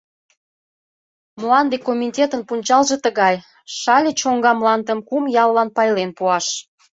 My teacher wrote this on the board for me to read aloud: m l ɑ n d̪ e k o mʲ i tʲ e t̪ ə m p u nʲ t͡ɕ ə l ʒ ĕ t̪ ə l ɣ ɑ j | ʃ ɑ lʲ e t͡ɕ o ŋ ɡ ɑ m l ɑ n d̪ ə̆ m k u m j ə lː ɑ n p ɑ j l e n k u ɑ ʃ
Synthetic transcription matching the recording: m l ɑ n d̪ e k o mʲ i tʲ e t̪ ə n p u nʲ t͡ɕ ɑ l ʒ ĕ t̪ ə ɣ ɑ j | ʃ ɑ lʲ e t͡ɕ o ŋ ɡ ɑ m l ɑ n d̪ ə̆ m k u m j ɑ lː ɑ n p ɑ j l e n p u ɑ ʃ